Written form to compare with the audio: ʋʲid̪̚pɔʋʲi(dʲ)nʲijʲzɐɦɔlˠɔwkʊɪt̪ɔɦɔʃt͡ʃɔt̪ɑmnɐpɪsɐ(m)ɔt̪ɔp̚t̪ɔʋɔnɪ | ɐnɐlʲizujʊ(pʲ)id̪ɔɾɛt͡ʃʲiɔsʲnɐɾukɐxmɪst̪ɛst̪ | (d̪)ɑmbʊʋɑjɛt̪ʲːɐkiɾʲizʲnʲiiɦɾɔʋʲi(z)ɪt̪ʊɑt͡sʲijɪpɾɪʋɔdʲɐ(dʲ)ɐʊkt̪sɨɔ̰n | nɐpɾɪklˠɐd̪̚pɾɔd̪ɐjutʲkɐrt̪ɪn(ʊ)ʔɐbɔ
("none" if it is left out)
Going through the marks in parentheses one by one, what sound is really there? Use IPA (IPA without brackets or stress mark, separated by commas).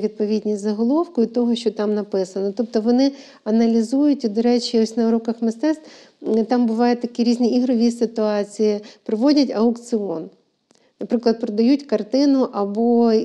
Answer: dʲ, n, tʲ, t̪, s, tʲ, ʊ